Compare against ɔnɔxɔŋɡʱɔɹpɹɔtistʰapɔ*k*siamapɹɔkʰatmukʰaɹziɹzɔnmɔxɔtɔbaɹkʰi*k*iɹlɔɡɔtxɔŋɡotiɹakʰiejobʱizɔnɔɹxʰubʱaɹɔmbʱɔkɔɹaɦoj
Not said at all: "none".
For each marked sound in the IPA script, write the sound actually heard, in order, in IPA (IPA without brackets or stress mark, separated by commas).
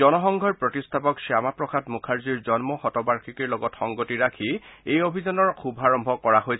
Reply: k, k